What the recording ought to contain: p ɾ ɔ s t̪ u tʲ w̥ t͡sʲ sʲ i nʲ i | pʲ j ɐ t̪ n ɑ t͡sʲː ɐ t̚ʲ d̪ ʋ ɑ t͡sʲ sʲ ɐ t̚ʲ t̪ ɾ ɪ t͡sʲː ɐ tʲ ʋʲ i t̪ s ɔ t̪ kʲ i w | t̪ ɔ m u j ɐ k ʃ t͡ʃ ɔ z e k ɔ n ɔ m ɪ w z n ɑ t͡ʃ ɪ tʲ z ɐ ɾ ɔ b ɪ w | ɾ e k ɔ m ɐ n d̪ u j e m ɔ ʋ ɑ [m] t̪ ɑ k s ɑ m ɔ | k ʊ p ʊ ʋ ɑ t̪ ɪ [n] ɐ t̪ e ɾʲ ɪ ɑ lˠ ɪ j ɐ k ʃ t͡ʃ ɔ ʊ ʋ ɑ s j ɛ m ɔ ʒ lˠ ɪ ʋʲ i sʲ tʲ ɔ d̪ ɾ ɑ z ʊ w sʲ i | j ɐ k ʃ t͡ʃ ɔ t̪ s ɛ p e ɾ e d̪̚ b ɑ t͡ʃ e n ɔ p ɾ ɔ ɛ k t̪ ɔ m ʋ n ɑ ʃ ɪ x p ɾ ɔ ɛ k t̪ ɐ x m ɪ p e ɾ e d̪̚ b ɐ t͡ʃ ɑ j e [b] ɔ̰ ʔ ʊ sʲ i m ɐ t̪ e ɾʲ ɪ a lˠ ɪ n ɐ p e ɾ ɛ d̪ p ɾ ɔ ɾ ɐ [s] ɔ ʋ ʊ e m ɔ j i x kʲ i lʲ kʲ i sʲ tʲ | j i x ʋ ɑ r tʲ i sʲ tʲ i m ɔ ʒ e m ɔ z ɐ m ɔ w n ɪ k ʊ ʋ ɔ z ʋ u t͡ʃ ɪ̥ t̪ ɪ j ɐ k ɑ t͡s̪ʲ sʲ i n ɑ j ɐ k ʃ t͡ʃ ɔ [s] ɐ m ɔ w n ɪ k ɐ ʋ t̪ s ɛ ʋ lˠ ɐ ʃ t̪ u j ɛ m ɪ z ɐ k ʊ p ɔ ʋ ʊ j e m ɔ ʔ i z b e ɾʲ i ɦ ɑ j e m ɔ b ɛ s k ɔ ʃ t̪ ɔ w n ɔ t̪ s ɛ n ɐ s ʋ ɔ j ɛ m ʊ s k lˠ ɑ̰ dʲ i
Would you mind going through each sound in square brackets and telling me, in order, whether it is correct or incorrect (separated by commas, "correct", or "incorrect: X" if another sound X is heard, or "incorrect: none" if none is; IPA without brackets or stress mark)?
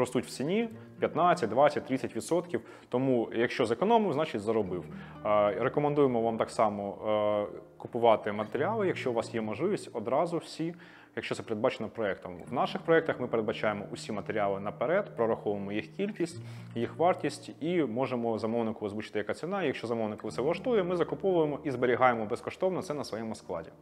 correct, incorrect: m, incorrect: m, incorrect: x, incorrect: z